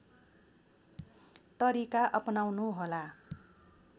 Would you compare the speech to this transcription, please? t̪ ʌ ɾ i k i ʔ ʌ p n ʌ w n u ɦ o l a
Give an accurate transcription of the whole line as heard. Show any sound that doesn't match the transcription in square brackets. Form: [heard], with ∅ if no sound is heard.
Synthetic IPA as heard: t̪ ʌ ɾ i k [a] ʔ ʌ p n [a] w n u ɦ o l a

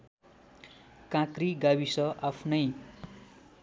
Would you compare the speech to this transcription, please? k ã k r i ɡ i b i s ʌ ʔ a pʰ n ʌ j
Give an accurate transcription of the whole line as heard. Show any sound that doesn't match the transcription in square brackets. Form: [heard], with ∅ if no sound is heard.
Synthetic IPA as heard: k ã k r i ɡ [a] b i s ʌ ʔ a pʰ n ʌ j

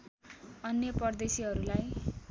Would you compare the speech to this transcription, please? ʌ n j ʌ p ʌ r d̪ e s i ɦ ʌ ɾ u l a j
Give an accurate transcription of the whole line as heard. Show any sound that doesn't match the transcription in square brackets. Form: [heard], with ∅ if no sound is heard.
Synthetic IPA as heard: ʌ n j ʌ p ʌ r d̪ e s i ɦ ʌ ɾ u l a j

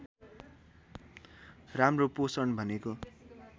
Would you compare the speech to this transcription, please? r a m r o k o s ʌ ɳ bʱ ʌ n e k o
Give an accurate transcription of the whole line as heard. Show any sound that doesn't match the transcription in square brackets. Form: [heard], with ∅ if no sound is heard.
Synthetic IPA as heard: r a m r o [p] o s ʌ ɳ bʱ ʌ n e k o

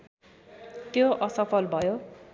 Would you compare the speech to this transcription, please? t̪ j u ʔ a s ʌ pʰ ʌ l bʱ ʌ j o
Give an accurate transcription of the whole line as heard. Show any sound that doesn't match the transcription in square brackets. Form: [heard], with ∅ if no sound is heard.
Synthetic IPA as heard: t̪ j [o] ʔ [ʌ] s ʌ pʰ ʌ l bʱ ʌ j o

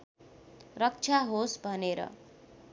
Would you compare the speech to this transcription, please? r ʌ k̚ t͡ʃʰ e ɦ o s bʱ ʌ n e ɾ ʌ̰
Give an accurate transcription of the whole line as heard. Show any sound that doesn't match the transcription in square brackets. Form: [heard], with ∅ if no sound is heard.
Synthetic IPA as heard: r ʌ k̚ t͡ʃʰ [a] ɦ o s bʱ ʌ n e ɾ ʌ̰

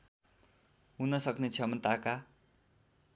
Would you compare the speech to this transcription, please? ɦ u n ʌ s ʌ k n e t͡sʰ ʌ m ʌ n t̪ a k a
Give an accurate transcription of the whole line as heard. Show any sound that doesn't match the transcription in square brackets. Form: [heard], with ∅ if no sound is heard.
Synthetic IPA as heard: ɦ u n ʌ s ʌ k n e t͡sʰ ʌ m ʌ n t̪ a k a

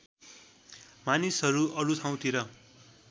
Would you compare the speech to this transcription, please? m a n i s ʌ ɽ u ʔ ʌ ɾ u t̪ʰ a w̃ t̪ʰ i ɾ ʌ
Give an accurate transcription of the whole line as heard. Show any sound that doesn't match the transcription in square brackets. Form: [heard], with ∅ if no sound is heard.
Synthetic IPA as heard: m a n i s ʌ [ɾ] u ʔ ʌ ɾ u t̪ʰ a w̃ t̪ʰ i ɾ ʌ

